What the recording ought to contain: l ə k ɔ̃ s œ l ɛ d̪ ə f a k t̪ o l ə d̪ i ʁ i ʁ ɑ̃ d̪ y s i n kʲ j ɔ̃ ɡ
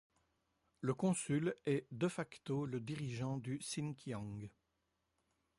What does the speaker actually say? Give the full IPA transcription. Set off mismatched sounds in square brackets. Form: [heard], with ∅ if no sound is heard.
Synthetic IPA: l ə k ɔ̃ s [y] l ɛ d̪ ə f a k t̪ o l ə d̪ i ʁ i [ʒ] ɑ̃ d̪ y s i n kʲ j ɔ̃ ɡ